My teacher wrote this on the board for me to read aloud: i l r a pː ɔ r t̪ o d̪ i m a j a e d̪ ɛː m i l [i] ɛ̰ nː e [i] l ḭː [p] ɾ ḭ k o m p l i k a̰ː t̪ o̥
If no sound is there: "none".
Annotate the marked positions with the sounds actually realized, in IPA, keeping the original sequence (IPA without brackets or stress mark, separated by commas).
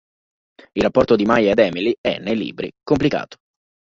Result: i, j, b